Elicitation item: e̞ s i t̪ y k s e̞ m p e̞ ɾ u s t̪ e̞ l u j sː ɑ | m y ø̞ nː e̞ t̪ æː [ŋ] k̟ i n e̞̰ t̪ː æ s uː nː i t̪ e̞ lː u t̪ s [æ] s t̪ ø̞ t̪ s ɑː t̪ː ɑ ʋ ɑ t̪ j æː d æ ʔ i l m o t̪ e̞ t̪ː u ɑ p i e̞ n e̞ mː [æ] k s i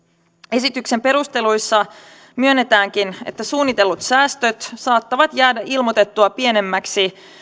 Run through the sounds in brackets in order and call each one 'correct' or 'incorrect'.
correct, incorrect: æː, correct

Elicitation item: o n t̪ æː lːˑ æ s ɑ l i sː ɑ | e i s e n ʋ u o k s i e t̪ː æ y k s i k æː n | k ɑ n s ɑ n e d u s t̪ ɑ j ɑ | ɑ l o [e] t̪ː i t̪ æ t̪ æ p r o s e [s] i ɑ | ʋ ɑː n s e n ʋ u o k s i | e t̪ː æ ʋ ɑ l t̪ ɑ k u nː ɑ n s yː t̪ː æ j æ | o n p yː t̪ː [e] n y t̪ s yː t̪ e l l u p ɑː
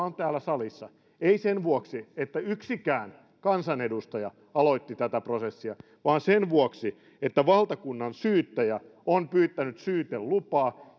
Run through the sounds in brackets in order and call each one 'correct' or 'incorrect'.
incorrect: i, incorrect: sː, incorrect: æ

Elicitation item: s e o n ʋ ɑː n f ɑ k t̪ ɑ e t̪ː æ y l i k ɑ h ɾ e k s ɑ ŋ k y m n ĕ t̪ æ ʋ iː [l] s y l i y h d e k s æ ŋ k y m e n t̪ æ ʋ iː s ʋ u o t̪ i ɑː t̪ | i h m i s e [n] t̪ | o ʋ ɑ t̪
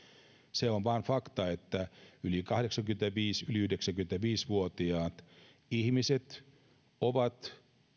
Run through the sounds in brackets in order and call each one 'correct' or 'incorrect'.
incorrect: none, incorrect: none

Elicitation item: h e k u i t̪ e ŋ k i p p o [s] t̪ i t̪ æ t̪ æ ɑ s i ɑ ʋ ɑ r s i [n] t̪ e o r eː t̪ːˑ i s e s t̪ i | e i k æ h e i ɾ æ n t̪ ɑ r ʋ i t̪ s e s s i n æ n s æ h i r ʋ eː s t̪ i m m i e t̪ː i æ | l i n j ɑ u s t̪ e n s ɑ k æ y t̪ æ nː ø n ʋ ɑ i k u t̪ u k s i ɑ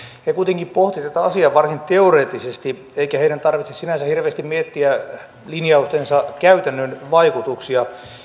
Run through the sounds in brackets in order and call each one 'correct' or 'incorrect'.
incorrect: h, correct

